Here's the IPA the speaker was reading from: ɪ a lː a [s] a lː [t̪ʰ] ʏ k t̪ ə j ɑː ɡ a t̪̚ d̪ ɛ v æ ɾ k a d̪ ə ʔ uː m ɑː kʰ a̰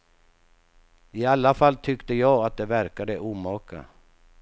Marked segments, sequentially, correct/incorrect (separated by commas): incorrect, correct